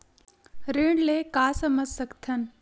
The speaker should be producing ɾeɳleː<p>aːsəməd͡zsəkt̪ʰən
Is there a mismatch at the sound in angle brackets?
yes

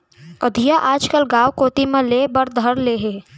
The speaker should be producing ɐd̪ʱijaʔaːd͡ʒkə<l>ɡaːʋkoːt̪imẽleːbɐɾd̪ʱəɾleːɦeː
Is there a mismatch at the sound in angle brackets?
no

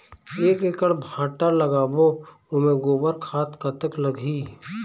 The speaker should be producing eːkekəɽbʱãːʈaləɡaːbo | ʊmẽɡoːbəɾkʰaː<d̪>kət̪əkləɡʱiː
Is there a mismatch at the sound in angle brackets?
yes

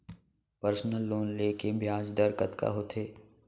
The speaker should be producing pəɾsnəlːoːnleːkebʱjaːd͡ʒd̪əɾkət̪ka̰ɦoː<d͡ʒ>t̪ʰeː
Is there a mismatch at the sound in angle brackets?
yes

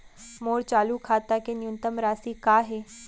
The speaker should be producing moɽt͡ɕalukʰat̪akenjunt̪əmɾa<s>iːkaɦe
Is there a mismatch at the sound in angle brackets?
no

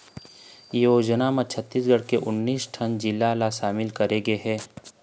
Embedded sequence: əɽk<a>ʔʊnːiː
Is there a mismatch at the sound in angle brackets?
yes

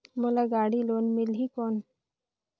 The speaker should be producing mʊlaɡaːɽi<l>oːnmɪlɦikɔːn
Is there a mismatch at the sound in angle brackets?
no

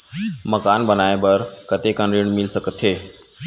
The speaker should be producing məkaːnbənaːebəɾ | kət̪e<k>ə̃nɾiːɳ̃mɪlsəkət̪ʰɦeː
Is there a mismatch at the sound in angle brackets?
no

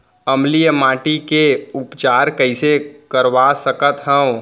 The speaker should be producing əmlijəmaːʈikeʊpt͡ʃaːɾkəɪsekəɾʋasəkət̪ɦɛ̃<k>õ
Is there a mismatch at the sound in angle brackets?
yes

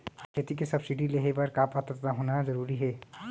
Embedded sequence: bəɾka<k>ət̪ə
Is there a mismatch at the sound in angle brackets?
yes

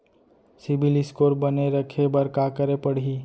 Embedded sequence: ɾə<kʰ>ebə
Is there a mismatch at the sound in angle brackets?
no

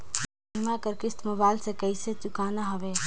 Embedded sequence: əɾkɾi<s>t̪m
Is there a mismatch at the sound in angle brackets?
no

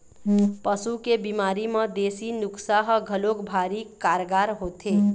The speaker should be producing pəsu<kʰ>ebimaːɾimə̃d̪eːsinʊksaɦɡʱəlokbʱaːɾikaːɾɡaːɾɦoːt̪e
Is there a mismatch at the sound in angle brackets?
yes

